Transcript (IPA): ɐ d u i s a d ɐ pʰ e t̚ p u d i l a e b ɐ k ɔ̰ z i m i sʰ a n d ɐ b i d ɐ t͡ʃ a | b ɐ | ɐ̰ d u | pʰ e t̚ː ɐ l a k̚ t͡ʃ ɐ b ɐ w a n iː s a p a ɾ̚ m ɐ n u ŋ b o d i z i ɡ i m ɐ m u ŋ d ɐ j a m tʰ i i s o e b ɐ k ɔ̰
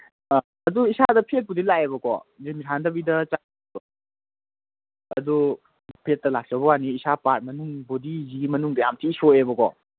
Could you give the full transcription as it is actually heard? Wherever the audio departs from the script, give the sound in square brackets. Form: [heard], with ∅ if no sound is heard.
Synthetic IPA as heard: ɐ d u i s a d ɐ pʰ e t̚ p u d i l a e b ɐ k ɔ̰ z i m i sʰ a n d ɐ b i d ɐ t͡ʃ a | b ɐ | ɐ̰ d u | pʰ e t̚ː ɐ l a k̚ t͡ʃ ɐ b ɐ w a n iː s a p a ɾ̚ m ɐ n u ŋ b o d i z i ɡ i m ɐ [n] u ŋ d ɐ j a m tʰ i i s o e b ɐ k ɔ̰